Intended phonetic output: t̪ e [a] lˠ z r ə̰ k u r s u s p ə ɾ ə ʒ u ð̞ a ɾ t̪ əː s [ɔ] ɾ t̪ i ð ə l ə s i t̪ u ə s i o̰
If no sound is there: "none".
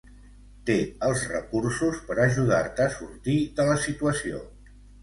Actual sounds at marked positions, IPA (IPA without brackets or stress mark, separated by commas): ə, u